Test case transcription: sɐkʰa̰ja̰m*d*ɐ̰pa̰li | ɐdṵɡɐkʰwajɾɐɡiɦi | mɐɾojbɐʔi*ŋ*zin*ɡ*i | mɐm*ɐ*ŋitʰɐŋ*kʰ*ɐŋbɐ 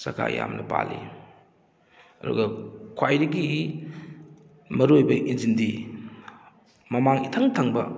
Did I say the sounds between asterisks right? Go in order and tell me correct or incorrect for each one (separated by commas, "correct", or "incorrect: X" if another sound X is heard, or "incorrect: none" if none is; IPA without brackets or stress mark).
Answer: incorrect: n, incorrect: n, incorrect: d, incorrect: a, incorrect: tʰ